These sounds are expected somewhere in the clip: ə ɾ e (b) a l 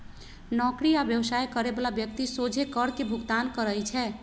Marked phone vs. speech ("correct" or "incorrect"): correct